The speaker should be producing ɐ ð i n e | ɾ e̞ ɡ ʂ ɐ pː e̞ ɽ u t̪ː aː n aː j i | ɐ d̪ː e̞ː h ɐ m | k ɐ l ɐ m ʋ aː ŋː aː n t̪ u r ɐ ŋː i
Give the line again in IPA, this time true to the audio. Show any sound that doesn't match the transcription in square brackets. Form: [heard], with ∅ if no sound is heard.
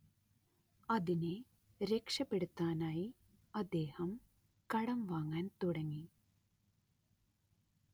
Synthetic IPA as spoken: ɐ ð i n e | ɾ e̞ [k] ʂ ɐ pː e̞ ɽ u t̪ː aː n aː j i | ɐ d̪ː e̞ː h ɐ m | k ɐ [ɽ] ɐ m ʋ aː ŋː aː n t̪ u [ɽ] ɐ ŋː i